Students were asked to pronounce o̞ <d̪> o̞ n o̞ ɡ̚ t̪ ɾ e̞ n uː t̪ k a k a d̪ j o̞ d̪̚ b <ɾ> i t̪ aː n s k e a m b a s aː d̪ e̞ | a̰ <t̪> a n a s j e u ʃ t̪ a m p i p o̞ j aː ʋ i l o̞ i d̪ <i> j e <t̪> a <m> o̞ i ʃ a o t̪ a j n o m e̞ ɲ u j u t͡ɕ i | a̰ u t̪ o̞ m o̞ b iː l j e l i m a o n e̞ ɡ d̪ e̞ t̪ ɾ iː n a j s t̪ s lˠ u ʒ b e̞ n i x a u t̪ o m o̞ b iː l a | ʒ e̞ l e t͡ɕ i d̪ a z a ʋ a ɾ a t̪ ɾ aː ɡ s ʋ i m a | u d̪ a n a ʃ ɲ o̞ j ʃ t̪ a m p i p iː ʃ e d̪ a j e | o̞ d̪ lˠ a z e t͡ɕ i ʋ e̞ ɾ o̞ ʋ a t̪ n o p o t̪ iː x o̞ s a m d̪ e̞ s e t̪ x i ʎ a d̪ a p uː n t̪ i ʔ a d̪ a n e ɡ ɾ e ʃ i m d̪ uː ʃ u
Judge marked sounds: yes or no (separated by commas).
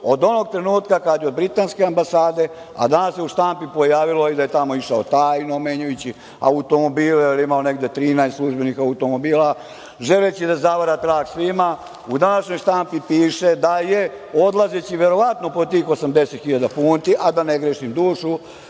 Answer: yes, yes, no, no, yes, yes